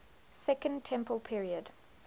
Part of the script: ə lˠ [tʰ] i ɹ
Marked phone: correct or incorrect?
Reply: incorrect